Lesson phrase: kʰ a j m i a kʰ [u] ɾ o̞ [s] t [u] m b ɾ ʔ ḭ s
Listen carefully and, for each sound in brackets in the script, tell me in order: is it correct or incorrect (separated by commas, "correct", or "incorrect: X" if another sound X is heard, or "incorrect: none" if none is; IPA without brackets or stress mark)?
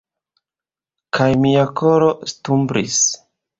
incorrect: o, correct, correct